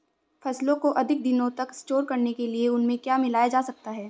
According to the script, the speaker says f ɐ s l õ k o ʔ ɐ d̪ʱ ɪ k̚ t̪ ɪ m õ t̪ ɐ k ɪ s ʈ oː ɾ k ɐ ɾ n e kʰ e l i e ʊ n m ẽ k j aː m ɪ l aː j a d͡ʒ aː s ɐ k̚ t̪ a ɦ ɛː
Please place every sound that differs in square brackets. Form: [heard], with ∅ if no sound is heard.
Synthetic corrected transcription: f ɐ s l õ k o ʔ ɐ d̪ʱ ɪ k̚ [d̪] ɪ [n] õ t̪ ɐ k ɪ s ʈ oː ɾ k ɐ ɾ n e [k] e l i e ʊ n m ẽ k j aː m ɪ l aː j a d͡ʒ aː s ɐ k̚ t̪ a ɦ ɛː